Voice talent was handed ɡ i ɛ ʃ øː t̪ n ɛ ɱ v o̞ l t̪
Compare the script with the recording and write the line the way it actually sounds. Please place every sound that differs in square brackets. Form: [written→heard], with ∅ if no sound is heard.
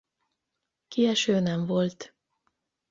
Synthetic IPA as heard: [ɡ→k] i ɛ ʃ øː [t̪→∅] n ɛ ɱ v o̞ l t̪